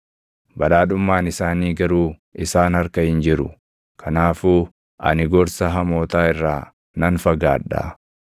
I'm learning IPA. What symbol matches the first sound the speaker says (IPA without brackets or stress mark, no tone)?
b